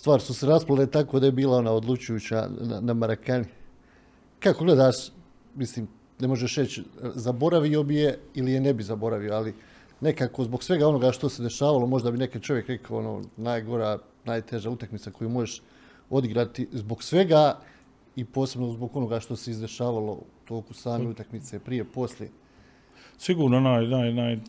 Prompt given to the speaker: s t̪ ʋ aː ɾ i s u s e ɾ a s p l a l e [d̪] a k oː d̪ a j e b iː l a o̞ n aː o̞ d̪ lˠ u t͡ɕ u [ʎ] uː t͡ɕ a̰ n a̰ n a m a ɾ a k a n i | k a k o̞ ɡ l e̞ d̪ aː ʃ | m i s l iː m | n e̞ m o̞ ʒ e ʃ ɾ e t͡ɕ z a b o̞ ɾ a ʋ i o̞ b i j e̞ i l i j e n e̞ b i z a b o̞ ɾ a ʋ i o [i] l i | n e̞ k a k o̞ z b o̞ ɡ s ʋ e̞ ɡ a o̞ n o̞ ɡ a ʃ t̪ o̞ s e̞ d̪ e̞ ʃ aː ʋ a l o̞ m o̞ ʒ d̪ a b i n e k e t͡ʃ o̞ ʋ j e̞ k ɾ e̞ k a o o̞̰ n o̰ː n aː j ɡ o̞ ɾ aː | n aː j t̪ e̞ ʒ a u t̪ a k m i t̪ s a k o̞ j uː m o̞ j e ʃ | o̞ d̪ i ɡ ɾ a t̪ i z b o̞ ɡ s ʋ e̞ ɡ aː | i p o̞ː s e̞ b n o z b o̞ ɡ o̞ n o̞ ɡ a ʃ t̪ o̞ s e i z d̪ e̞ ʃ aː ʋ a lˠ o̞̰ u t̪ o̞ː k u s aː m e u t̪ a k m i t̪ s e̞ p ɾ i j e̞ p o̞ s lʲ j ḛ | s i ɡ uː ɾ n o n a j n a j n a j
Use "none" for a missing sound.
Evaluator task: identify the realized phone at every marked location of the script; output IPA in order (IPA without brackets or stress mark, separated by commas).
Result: t̪, j, a